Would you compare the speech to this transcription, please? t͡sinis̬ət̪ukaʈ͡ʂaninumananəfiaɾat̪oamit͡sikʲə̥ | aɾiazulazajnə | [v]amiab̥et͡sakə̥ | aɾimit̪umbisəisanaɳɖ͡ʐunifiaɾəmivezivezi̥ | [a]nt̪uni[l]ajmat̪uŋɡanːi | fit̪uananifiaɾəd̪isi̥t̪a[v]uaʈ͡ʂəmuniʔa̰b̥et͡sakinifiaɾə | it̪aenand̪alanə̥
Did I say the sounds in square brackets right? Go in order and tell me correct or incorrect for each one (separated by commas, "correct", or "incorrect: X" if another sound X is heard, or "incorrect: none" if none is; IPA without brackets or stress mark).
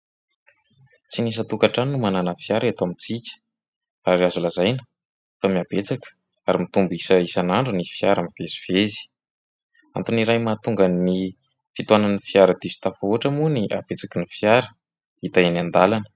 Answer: incorrect: f, correct, incorrect: ɾ, incorrect: f